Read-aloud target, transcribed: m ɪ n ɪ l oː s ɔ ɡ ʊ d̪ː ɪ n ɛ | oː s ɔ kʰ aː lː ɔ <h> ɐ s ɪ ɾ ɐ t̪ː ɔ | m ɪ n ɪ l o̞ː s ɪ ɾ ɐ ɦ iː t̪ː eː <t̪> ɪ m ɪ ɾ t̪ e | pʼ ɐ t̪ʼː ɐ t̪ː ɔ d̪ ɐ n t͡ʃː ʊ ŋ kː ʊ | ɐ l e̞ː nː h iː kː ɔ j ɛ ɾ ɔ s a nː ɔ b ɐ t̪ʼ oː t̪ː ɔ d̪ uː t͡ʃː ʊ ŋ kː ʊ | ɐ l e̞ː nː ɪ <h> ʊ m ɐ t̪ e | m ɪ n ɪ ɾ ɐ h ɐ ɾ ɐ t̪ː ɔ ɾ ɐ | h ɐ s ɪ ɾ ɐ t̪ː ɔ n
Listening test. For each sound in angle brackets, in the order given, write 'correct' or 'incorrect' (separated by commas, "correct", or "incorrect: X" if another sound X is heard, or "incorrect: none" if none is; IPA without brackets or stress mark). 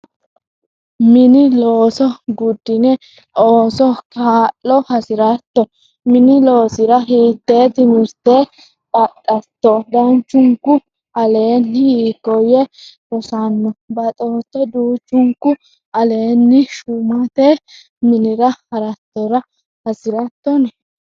correct, correct, incorrect: ʃ